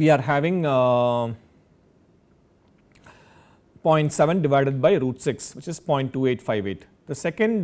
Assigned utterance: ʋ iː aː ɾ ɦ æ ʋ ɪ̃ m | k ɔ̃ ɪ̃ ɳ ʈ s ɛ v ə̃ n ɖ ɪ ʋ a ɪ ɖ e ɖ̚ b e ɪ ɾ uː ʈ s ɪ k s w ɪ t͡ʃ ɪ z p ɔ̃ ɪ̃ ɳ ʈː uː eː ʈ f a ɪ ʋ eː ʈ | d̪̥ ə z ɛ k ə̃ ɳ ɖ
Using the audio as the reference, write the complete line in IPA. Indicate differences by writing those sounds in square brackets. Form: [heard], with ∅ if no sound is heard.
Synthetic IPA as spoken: ʋ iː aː ɾ ɦ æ ʋ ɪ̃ [ŋ] | [p] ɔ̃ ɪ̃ ɳ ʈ s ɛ [ʋ] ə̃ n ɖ ɪ ʋ a ɪ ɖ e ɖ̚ b [a] ɪ ɾ uː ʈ s ɪ k s [ʋ] ɪ t͡ʃ ɪ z p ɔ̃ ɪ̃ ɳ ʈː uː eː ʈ f a ɪ ʋ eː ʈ | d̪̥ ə [s] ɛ k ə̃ ɳ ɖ